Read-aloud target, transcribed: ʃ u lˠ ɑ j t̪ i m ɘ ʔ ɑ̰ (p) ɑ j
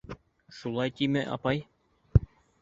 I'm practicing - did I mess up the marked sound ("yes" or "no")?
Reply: no